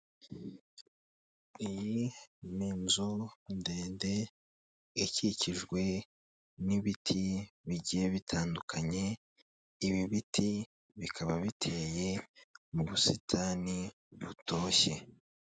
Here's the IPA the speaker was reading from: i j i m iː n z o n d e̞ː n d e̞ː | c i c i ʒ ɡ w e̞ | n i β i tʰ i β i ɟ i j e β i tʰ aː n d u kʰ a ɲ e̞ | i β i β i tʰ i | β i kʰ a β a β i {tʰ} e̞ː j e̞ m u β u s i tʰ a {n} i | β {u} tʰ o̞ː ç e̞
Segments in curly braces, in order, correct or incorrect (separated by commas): correct, correct, correct